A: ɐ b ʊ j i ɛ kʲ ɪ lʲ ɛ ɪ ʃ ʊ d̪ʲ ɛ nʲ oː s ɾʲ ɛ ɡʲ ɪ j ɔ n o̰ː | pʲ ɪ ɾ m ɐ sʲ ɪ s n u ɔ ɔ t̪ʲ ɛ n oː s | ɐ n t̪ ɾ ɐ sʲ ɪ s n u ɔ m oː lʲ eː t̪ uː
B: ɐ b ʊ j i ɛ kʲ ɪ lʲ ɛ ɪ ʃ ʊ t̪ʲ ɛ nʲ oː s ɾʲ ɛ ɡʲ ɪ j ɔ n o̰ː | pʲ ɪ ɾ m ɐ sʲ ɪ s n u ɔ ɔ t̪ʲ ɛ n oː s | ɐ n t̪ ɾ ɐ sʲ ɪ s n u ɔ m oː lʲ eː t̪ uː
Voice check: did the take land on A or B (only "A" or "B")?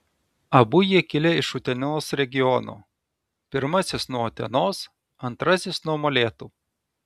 B